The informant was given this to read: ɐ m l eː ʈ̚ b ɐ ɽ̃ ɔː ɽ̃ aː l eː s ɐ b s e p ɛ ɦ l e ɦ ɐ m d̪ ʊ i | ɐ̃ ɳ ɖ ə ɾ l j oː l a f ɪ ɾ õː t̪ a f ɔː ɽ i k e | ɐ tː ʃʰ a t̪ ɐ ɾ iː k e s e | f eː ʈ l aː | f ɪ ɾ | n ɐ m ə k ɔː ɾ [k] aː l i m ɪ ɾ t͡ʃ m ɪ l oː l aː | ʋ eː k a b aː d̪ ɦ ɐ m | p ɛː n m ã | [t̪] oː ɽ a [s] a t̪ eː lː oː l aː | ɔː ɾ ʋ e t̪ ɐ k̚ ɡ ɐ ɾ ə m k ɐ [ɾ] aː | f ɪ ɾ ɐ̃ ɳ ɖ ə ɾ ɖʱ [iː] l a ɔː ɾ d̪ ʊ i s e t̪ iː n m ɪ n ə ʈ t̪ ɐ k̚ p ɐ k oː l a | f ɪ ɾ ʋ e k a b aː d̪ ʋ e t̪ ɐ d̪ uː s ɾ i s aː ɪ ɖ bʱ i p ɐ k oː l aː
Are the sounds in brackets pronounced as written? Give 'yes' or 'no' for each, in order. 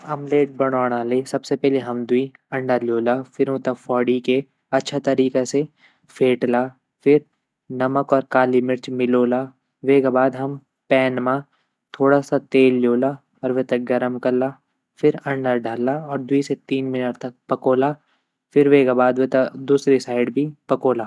yes, no, yes, no, no

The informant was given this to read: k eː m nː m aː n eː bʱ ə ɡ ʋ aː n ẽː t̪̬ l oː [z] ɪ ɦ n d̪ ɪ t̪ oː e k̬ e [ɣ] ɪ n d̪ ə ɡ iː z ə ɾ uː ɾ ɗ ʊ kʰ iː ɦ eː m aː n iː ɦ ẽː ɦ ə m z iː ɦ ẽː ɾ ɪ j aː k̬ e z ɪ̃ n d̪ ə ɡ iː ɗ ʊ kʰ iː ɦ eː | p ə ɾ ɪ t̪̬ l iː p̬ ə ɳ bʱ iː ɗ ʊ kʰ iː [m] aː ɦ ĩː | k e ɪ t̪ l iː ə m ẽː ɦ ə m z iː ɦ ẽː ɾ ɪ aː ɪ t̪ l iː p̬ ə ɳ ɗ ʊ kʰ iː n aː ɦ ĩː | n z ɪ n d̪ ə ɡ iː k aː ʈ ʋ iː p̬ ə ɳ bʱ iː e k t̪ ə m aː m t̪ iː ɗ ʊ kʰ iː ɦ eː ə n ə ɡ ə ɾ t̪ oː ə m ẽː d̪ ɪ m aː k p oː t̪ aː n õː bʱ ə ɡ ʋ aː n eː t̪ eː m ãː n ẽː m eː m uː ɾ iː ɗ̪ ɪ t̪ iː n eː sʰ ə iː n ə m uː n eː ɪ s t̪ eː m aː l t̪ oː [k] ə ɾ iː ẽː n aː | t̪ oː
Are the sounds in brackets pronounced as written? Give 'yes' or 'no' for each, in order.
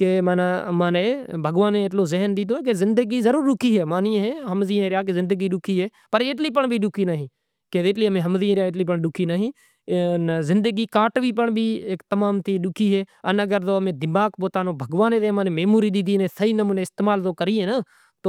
yes, no, no, yes

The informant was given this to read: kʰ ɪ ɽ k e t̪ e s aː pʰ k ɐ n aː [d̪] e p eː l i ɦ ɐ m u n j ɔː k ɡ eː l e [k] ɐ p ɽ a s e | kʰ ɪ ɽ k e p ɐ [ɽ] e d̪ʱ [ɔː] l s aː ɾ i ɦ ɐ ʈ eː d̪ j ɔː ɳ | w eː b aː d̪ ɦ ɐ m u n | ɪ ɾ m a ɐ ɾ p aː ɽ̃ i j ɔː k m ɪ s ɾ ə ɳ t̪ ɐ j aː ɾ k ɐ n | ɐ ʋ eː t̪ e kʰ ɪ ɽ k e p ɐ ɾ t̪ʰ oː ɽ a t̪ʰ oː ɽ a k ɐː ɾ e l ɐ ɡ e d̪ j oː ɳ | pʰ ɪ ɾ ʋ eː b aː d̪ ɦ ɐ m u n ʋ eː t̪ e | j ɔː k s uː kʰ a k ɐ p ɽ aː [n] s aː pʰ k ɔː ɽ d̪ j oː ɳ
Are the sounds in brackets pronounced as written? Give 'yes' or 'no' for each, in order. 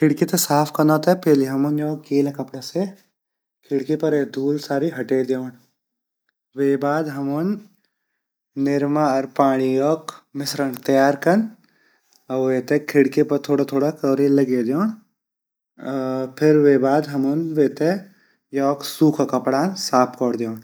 no, yes, no, no, yes

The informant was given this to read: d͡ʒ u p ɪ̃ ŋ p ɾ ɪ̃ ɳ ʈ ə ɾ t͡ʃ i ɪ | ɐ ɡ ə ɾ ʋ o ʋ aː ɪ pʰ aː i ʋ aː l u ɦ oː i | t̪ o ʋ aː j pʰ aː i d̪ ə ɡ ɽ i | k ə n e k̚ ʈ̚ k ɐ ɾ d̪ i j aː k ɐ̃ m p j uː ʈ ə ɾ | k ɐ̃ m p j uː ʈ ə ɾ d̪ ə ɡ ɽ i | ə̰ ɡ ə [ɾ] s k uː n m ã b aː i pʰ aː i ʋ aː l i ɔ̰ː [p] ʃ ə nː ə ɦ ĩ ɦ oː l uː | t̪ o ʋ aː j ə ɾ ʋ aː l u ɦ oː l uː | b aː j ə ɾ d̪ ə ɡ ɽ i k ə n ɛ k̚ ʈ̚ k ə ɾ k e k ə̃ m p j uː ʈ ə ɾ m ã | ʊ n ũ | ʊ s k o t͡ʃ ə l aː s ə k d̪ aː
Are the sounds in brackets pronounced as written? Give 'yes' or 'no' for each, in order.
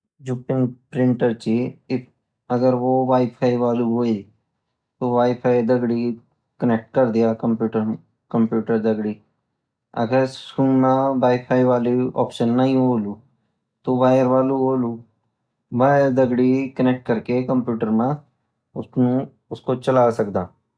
yes, yes

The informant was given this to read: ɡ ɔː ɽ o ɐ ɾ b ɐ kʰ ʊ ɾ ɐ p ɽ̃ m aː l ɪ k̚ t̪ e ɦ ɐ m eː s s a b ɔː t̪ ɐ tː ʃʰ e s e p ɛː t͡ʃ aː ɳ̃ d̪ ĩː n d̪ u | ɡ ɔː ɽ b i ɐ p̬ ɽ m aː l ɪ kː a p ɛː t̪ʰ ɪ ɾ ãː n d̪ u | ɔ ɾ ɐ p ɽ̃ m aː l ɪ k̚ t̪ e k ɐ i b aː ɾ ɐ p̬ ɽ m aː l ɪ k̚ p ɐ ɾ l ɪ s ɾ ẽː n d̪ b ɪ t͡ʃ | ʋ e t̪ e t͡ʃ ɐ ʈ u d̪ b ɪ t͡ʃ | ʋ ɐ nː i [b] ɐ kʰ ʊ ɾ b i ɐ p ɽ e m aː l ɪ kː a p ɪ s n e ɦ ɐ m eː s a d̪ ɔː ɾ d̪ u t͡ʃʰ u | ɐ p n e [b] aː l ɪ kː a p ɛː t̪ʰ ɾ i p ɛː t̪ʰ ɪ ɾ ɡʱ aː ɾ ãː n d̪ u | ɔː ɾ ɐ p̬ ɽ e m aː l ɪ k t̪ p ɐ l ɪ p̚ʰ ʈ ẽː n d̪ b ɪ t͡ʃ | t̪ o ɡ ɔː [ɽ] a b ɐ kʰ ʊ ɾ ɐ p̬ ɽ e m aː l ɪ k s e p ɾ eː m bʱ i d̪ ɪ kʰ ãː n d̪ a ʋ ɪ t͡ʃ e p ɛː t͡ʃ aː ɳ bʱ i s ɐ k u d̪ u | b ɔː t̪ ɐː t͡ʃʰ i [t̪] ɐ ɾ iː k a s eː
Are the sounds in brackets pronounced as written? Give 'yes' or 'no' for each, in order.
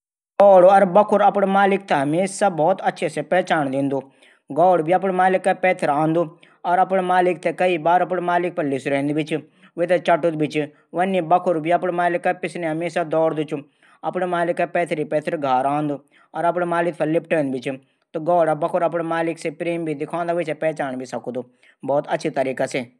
yes, no, yes, yes

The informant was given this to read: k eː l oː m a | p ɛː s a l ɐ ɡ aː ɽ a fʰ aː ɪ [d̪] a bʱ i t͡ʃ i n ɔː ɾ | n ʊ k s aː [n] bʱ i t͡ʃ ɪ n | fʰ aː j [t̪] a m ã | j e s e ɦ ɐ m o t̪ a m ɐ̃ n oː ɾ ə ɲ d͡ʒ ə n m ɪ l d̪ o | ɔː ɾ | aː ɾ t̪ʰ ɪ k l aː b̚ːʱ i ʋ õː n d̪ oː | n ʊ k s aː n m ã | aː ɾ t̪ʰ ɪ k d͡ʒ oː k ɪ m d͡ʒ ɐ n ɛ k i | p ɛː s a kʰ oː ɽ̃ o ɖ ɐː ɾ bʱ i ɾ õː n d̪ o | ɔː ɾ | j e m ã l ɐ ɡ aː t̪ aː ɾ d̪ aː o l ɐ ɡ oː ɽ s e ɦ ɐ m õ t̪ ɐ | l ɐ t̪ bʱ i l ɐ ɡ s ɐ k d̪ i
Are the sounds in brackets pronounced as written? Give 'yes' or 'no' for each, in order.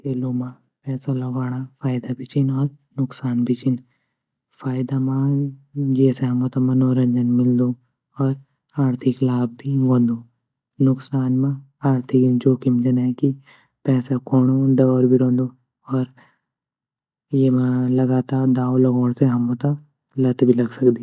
yes, yes, no

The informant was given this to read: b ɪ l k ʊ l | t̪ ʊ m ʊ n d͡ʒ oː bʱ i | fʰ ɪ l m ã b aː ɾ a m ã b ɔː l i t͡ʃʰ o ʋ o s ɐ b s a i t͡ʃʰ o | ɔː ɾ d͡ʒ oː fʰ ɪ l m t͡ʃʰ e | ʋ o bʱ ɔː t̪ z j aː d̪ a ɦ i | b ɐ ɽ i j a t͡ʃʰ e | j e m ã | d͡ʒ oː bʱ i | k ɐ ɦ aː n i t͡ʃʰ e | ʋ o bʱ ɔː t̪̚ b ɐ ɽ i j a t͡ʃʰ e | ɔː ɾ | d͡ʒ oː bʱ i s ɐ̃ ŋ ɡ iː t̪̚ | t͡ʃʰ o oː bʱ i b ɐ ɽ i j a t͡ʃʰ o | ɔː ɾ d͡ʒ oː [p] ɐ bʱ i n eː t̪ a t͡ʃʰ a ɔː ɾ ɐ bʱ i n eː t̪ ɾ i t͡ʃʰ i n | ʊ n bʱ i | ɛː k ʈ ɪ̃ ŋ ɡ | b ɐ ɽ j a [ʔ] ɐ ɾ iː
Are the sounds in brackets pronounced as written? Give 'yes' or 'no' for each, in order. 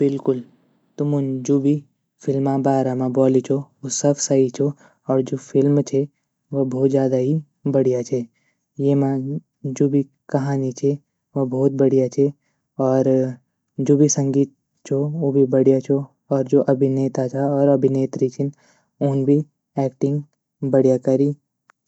no, no

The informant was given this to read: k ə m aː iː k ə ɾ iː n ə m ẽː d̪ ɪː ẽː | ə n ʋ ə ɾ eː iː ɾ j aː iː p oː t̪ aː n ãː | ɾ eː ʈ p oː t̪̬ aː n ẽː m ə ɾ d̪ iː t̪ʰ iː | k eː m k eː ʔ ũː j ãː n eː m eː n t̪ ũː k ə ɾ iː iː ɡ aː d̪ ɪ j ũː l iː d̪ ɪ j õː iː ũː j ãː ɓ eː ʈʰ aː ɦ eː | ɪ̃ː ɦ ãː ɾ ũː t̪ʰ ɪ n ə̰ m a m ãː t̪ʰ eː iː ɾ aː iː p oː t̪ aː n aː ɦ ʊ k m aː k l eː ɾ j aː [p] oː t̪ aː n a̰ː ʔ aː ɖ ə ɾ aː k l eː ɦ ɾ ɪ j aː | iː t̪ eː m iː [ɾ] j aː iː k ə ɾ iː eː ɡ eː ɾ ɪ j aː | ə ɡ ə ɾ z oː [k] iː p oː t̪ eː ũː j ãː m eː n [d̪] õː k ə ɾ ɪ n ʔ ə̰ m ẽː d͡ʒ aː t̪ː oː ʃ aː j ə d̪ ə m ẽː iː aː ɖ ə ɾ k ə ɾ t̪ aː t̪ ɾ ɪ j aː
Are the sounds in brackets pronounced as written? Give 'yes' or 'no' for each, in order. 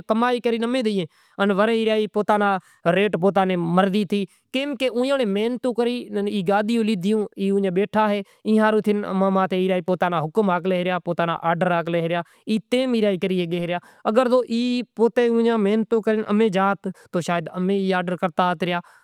yes, yes, no, no

